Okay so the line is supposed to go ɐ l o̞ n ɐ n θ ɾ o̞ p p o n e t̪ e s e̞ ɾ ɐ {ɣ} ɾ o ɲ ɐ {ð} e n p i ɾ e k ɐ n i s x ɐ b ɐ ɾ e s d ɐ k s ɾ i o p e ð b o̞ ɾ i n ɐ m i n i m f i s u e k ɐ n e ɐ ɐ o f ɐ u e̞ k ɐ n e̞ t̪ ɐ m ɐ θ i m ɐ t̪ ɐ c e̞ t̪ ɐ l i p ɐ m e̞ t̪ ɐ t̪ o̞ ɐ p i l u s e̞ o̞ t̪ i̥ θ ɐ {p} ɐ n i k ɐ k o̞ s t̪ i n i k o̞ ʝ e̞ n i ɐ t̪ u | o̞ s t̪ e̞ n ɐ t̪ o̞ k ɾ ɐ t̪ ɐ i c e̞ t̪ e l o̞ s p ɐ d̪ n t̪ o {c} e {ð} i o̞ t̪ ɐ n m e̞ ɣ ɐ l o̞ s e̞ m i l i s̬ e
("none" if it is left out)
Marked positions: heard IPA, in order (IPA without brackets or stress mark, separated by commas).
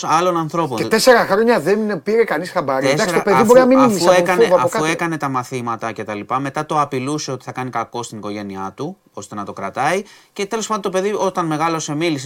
x, ð, k, p, ð